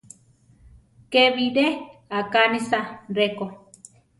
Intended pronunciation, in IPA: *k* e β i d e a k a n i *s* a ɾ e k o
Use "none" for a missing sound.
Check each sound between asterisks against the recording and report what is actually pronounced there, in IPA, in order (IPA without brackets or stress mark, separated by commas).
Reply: k, s